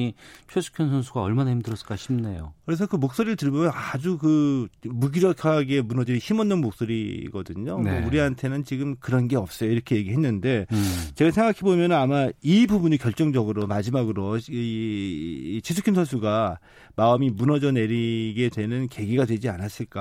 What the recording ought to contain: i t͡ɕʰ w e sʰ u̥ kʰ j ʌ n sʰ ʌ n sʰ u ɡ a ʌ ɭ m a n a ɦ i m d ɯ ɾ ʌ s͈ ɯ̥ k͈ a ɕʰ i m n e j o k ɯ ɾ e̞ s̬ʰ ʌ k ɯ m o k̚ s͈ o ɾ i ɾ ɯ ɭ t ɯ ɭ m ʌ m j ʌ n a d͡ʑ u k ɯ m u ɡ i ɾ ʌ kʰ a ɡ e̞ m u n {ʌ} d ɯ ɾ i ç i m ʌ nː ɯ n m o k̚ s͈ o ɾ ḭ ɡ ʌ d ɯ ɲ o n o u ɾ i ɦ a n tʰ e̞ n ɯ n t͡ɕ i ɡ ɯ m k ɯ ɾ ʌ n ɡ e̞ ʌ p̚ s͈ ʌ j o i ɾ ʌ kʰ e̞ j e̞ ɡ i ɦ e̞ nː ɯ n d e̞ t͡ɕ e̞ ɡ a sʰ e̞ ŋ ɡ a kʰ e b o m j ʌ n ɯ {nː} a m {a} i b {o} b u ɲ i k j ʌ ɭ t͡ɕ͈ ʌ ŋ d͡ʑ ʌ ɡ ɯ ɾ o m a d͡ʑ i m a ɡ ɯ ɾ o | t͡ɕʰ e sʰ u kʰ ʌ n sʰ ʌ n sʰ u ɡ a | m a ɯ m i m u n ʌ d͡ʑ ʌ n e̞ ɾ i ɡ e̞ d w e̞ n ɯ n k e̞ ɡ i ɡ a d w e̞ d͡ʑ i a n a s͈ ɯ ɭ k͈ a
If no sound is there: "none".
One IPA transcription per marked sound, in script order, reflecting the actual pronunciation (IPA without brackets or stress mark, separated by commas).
ʌ, n, a, u